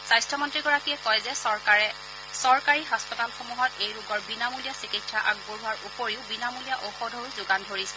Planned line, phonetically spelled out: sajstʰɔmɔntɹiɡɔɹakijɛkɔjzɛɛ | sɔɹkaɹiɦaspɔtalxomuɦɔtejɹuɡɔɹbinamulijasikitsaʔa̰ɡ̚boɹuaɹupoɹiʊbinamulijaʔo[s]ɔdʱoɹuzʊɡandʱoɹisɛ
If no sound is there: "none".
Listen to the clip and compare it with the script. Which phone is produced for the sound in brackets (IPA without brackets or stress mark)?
x